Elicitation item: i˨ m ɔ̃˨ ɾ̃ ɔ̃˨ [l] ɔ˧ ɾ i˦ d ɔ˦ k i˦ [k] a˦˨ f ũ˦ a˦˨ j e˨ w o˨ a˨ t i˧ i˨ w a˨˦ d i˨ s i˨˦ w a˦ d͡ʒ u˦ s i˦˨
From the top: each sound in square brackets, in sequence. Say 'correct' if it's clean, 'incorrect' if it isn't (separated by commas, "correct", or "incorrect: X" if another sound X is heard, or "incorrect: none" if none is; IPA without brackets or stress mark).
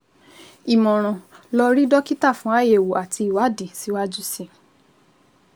correct, incorrect: t